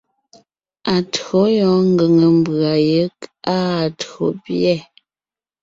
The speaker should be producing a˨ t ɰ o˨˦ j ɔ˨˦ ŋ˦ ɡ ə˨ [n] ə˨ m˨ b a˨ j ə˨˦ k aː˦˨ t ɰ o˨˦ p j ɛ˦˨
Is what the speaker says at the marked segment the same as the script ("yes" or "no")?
no